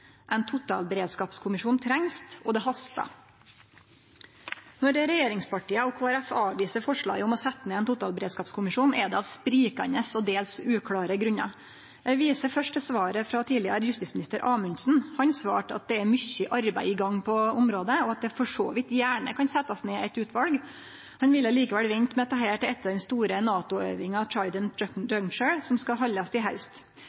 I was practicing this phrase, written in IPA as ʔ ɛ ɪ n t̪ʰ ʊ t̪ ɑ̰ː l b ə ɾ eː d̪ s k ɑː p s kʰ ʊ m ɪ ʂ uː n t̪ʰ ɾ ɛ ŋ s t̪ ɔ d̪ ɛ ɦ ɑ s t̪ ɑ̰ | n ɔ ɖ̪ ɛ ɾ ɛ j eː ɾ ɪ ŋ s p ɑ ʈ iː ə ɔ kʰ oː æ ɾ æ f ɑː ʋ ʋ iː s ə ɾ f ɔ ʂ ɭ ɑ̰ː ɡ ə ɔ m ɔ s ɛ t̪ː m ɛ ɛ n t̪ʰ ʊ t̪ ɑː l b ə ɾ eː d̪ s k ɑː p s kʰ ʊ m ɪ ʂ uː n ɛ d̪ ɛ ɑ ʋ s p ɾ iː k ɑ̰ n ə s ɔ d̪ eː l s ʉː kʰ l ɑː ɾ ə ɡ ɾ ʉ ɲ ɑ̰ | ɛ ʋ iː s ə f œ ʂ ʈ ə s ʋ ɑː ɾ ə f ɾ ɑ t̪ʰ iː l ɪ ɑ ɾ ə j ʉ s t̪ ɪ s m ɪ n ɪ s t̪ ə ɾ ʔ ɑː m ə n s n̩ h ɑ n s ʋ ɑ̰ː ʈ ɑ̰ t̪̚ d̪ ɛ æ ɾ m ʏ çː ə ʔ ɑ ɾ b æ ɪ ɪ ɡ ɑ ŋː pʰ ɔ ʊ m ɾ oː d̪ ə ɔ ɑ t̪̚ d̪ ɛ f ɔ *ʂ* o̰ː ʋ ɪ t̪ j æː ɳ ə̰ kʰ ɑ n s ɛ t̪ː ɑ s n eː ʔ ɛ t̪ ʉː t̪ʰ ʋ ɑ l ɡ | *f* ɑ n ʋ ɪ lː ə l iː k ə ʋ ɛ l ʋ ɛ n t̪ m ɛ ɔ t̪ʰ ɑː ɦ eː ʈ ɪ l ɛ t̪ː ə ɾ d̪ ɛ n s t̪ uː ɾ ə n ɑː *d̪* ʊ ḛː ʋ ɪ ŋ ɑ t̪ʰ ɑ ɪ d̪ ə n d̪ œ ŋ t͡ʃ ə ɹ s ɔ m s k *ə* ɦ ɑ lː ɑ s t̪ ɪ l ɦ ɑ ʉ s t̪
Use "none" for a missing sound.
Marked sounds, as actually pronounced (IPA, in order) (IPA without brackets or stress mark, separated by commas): ʂ, h, t̪, ɑ